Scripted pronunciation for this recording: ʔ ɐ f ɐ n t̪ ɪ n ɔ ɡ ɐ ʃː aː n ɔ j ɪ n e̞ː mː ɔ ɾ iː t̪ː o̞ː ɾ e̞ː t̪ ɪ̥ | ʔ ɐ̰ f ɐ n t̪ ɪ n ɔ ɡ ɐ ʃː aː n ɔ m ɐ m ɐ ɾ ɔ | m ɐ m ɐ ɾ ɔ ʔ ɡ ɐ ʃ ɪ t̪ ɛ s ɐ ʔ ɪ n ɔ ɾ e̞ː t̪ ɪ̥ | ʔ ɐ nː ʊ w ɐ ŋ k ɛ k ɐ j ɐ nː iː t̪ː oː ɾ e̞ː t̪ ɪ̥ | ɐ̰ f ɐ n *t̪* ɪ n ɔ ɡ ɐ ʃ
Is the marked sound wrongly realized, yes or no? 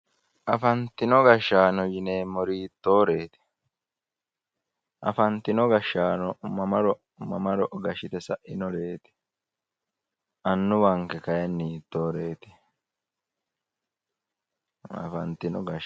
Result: no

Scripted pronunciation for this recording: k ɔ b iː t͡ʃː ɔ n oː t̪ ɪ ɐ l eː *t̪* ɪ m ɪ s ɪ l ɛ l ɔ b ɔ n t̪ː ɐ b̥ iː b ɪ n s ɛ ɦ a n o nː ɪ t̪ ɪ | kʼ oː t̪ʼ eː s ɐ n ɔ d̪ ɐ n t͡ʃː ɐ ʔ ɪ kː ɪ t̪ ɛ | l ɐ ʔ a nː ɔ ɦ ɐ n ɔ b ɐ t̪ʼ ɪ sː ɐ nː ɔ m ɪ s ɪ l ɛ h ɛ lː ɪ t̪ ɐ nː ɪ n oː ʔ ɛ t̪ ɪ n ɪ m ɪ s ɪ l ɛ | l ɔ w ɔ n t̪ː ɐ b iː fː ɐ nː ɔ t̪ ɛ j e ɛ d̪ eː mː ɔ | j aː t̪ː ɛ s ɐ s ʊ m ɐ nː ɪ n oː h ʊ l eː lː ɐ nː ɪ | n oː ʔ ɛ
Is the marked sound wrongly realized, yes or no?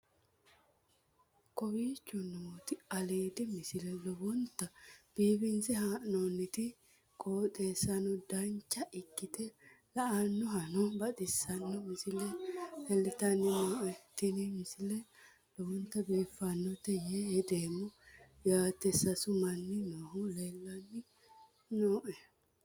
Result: yes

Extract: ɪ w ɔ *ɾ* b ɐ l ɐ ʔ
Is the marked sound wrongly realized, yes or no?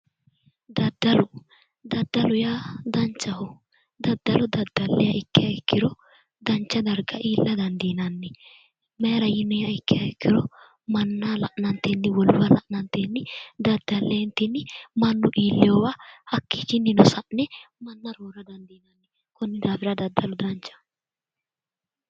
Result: yes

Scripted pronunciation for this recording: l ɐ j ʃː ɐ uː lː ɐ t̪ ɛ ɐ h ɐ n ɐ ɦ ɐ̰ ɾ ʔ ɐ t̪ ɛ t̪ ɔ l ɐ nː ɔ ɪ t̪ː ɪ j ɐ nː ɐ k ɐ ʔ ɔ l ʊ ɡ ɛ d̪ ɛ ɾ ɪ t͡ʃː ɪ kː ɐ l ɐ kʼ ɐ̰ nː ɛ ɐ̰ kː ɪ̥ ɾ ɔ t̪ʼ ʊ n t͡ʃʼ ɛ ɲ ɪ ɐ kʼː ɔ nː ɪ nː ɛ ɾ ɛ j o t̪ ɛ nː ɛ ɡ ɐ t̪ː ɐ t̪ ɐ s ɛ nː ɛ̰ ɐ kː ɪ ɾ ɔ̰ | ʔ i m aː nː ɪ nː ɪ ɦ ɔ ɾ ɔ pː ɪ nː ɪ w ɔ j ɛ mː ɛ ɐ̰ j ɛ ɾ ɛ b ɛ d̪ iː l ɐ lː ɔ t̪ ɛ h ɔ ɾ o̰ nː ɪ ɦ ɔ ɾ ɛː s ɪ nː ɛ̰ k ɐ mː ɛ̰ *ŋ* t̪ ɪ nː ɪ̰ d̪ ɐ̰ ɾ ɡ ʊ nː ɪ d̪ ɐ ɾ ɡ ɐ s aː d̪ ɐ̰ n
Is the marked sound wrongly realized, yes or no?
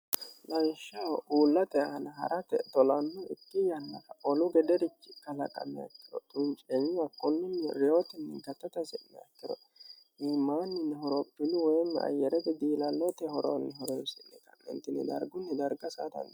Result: yes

